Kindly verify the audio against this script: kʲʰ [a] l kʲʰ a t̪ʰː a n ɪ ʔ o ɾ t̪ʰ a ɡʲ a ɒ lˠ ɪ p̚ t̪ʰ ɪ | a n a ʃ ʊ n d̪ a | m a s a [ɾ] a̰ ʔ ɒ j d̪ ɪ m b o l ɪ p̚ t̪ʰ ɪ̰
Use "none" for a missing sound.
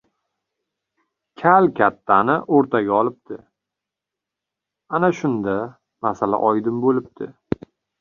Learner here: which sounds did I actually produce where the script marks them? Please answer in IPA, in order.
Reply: a, l

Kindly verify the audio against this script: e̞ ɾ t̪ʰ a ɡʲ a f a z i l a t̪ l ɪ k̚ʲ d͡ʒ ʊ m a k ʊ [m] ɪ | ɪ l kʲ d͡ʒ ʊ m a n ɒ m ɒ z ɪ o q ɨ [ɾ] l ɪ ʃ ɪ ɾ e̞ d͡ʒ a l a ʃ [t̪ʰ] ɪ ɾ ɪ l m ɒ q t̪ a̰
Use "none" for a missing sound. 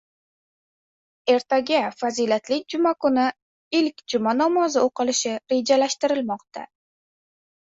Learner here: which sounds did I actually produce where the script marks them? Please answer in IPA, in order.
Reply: n, none, t̪

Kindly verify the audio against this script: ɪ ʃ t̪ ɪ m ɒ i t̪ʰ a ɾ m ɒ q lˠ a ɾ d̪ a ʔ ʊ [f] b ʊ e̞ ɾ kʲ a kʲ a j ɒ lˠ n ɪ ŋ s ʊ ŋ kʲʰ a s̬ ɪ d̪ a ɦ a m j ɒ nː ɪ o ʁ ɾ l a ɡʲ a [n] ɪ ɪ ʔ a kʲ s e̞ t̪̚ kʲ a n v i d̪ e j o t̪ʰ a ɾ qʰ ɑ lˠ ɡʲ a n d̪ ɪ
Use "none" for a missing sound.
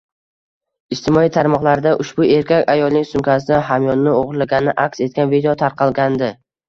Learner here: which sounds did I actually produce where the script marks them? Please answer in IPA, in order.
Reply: ʃ, n

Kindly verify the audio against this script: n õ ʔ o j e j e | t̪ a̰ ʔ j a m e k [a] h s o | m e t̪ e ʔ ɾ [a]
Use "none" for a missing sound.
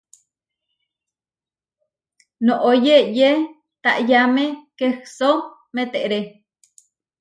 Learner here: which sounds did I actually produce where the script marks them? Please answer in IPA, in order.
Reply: e, e

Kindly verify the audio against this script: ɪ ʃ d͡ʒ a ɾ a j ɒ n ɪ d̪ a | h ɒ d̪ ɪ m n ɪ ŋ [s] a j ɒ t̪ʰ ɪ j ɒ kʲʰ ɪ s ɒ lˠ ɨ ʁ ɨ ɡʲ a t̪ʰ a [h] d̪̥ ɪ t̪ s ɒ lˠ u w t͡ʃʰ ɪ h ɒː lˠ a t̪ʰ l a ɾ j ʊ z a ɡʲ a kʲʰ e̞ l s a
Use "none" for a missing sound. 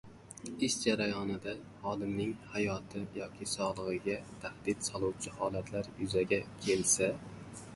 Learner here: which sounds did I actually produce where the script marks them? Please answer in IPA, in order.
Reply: h, h

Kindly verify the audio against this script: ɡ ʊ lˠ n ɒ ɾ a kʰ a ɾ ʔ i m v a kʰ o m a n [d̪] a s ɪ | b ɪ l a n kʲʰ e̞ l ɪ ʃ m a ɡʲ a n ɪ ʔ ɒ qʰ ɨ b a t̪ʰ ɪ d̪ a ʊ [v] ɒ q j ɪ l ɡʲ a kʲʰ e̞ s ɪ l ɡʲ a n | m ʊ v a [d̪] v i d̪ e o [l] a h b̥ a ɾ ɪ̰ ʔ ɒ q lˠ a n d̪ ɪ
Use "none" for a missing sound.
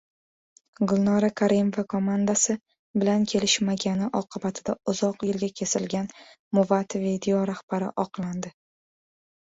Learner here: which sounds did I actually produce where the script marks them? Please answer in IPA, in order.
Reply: d̪, z, t̪, ɾ

